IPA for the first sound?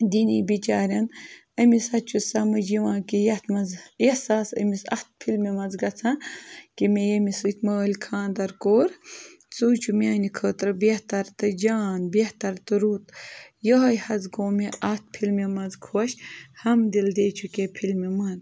d̪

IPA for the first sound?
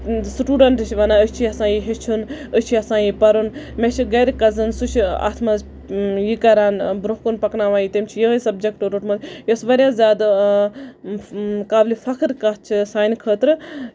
s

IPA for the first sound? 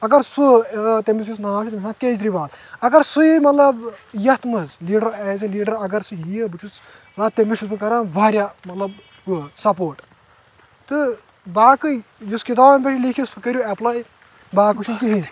ɐ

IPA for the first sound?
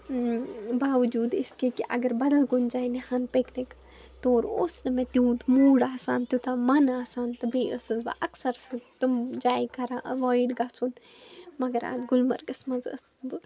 b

